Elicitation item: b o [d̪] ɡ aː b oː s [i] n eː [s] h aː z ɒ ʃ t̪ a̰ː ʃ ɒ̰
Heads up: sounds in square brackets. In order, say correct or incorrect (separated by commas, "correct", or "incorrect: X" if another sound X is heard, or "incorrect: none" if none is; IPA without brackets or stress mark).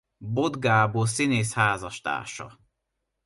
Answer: correct, correct, correct